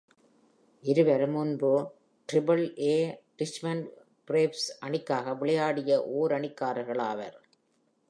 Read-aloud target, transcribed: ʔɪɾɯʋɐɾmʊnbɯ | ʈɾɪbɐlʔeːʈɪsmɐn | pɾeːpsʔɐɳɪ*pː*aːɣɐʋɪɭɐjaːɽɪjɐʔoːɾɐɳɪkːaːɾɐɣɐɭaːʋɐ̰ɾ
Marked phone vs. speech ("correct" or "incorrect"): incorrect